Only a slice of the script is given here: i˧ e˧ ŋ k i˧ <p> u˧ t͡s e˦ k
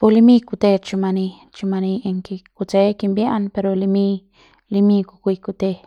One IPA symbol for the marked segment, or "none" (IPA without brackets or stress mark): k